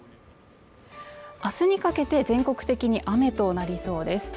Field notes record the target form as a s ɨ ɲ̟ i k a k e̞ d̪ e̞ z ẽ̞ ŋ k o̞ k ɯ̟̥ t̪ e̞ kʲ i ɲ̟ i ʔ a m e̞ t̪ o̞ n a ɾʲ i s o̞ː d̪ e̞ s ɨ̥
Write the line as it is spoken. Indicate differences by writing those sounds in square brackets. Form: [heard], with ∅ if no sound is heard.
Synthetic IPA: a s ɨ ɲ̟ i k a k e̞ [t̪] e̞ z ẽ̞ ŋ k o̞ k ɯ̟̥ t̪ e̞ kʲ i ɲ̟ i ʔ a m e̞ t̪ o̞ n a ɾʲ i s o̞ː d̪ e̞ s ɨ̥